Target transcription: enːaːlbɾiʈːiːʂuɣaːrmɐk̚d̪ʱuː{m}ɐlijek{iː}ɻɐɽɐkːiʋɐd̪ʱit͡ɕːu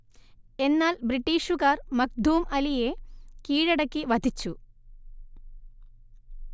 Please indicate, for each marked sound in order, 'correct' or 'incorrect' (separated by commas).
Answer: correct, correct